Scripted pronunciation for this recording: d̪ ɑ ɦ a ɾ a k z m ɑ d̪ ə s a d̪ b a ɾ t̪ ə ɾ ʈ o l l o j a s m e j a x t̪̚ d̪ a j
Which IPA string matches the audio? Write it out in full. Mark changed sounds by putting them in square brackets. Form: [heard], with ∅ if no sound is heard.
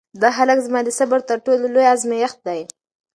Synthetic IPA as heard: d̪ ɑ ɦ a [l] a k z m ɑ d̪ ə s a [∅] b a ɾ t̪ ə ɾ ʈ o l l o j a [z] m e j a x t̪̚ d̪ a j